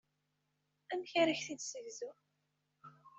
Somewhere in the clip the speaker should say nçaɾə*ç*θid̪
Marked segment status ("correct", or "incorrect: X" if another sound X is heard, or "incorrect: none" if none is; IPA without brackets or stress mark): correct